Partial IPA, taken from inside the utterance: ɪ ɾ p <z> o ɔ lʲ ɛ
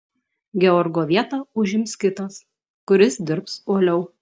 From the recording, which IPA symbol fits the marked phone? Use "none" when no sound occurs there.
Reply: s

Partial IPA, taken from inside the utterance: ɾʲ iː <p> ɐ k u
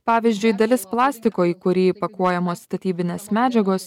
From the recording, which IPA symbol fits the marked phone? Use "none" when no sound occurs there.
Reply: p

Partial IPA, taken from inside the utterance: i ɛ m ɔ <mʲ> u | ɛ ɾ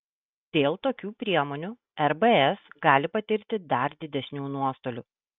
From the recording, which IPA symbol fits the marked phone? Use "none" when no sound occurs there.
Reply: nʲ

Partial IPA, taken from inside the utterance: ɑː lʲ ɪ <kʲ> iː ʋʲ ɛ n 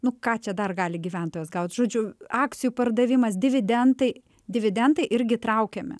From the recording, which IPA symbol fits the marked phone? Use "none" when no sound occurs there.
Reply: ɡʲ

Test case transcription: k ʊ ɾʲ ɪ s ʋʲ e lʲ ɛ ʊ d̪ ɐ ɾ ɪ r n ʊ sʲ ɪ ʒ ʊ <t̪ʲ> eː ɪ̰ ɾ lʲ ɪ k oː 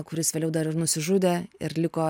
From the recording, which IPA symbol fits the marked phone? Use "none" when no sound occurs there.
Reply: d̪ʲ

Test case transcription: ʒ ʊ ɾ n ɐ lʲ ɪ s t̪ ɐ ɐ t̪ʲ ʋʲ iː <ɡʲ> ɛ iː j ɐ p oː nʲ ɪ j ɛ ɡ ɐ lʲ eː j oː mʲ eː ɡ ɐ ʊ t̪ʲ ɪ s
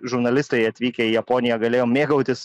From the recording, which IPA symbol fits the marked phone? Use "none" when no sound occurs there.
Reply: kʲ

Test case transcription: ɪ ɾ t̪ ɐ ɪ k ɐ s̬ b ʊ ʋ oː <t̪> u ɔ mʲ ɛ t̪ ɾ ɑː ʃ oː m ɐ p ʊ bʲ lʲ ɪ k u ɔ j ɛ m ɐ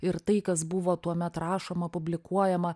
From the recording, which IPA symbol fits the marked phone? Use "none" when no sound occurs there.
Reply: t̪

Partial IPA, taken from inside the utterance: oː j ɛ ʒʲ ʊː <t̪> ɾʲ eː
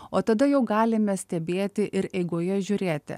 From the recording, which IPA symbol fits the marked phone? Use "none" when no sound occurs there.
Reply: none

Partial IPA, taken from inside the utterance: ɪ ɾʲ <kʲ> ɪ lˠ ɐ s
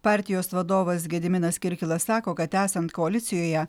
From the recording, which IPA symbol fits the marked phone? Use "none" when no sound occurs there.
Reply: kʲ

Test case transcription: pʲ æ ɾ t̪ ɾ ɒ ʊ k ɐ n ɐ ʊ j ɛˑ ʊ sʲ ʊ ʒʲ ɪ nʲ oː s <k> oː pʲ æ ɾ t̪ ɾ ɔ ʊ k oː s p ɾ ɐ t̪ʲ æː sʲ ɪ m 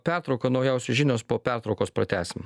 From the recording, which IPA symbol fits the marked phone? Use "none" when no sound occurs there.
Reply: p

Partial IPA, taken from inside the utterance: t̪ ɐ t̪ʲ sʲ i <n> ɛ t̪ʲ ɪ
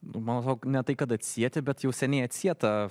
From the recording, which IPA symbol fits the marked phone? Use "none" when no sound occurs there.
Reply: none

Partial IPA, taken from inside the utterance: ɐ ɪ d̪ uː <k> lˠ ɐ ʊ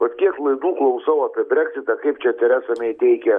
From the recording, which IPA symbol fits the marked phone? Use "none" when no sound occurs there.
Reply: k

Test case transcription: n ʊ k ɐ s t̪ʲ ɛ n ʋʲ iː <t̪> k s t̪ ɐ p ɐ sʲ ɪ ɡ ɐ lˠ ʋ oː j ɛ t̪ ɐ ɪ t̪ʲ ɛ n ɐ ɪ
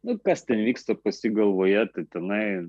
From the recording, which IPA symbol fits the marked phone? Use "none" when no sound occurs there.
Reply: none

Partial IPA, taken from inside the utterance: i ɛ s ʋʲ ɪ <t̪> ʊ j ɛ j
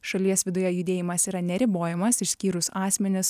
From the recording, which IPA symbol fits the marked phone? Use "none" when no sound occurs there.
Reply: d̪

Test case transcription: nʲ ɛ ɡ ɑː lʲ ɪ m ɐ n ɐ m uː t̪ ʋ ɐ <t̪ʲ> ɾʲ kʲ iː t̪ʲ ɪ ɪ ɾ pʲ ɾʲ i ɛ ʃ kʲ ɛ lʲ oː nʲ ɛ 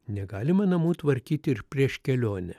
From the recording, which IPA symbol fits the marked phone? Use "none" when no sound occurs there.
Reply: none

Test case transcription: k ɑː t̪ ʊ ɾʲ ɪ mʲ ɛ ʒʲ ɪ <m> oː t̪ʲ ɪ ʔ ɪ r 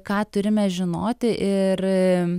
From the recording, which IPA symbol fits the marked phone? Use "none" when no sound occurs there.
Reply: n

